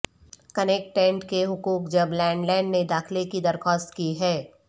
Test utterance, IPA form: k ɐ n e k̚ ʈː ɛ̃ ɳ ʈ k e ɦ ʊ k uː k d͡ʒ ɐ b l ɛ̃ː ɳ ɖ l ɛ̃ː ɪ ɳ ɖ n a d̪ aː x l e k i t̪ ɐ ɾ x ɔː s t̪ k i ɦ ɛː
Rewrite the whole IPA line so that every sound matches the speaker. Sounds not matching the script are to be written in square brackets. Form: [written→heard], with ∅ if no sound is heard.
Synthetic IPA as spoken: k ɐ n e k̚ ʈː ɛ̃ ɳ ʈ k e ɦ ʊ k uː k d͡ʒ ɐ b l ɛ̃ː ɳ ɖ l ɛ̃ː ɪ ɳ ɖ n [a→e] d̪ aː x l e k i [t̪→d̪] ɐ ɾ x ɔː s t̪ k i ɦ ɛː